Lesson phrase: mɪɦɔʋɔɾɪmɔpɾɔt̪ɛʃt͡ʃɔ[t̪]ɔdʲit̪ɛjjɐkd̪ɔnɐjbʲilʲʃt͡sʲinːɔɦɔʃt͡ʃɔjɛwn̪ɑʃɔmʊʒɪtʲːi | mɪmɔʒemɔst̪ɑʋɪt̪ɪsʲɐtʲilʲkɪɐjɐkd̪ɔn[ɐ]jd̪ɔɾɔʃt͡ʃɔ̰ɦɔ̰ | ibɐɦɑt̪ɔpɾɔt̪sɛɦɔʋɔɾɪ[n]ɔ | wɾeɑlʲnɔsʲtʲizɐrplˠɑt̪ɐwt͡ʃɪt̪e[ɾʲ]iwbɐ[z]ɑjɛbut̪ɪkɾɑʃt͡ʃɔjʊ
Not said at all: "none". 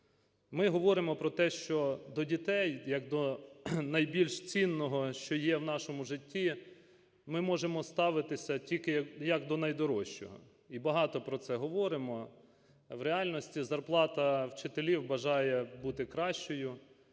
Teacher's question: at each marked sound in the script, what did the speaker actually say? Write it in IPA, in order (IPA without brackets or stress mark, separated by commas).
d̪, ɐ, m, lʲ, ʒ